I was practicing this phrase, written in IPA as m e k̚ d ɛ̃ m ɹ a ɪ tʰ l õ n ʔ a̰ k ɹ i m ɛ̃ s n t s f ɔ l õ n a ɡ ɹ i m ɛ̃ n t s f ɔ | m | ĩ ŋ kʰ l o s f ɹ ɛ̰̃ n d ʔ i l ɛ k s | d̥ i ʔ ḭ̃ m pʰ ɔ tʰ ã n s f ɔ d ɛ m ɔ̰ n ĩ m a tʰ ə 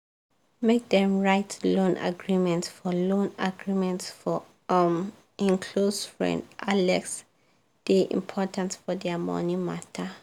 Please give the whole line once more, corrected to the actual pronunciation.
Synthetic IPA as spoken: m e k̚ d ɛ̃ m ɹ a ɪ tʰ l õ n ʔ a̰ ɡ ɹ i m ɛ̃ n t s f ɔ l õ n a ɡ ɹ i m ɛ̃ n t s f ɔ | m | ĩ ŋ kʰ l o s f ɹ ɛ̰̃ n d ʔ a l ɛ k s | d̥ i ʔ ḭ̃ m pʰ ɔ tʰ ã n s f ɔ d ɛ m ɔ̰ n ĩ m a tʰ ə